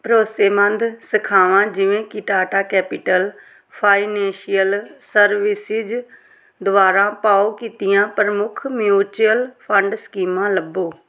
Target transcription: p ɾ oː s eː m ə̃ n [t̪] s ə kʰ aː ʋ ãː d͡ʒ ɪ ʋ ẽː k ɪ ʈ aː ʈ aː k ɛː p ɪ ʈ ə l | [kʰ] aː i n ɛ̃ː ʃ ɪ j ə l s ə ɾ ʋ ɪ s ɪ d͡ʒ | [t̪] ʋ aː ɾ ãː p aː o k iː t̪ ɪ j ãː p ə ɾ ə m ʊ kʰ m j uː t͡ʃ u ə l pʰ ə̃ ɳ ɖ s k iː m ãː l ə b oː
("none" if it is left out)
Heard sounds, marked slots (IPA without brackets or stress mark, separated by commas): d̪, pʰ, d̪